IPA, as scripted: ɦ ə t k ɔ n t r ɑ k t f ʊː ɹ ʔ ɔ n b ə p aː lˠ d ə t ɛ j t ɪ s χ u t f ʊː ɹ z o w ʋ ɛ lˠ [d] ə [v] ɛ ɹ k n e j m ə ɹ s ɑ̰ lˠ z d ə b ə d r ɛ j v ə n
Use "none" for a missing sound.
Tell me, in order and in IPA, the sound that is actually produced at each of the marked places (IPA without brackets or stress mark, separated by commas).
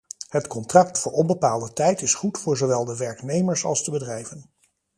d, ʋ